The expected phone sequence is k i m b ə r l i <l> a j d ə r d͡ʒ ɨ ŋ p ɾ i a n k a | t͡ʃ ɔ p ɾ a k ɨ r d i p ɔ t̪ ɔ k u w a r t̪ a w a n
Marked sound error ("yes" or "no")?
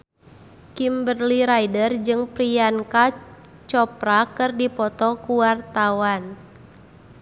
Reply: yes